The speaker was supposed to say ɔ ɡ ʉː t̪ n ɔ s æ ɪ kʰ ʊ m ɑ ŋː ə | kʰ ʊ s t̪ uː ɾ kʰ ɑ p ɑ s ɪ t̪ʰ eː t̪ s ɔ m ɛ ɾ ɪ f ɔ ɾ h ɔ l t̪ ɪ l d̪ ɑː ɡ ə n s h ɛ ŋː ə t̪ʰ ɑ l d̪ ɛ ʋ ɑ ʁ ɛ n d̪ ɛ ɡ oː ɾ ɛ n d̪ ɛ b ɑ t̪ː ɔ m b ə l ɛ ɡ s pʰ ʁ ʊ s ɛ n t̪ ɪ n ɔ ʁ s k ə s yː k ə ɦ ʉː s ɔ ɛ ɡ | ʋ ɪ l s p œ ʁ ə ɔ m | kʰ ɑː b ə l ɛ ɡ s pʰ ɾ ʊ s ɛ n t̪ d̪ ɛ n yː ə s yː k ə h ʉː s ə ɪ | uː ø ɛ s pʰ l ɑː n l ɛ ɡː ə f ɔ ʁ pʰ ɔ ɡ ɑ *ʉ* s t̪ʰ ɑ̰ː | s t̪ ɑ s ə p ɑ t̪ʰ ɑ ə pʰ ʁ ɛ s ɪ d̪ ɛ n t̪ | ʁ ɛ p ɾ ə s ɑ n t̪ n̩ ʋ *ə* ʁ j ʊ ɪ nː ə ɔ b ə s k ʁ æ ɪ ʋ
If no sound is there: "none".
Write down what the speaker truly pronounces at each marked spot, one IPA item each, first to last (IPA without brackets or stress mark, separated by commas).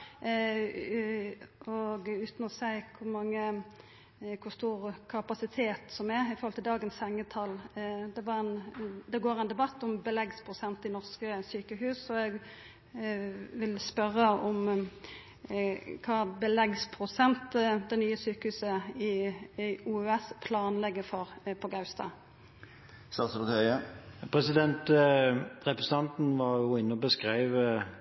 ʉ, ɑ